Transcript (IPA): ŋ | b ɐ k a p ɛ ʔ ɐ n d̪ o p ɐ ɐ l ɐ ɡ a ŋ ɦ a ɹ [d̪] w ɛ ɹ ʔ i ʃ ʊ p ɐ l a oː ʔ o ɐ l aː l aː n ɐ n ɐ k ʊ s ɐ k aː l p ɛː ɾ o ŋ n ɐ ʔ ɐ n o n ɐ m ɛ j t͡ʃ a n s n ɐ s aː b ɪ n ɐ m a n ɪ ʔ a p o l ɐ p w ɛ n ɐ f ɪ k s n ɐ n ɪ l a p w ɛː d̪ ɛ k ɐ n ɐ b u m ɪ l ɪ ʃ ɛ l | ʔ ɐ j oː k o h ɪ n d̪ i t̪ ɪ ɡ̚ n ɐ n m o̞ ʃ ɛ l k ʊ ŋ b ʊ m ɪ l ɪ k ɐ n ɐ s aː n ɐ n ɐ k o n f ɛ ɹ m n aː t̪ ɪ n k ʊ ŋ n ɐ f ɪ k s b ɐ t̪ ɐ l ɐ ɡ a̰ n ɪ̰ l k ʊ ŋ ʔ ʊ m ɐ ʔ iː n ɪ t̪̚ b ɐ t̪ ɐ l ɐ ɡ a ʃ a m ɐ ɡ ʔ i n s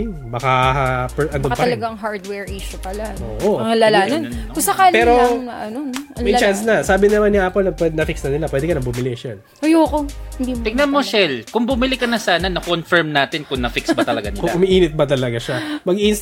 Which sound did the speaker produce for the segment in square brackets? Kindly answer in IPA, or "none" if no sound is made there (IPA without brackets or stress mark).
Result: d̪